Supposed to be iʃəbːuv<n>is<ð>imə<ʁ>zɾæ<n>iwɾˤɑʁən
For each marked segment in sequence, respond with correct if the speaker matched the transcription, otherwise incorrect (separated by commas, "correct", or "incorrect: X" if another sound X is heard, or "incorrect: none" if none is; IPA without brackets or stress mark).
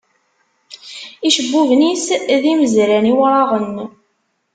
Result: correct, correct, incorrect: none, correct